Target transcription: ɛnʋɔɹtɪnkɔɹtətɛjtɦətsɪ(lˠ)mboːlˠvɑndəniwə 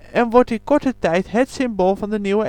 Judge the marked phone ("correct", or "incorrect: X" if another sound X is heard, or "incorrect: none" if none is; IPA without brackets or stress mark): incorrect: none